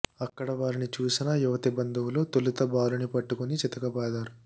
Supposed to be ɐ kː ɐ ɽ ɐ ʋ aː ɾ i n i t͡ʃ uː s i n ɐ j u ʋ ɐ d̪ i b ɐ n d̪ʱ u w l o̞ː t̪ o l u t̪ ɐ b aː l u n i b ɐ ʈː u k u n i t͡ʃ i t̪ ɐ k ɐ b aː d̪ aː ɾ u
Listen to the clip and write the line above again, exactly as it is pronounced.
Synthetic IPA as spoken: ɐ kː ɐ ɽ ɐ ʋ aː ɾ i n i t͡ʃ uː s i n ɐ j u ʋ ɐ t̪ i b ɐ n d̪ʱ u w l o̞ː t̪ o l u t̪ ɐ b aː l u n i p ɐ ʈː u k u n i t͡ʃ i t̪ ɐ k ɐ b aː d̪ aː ɾ u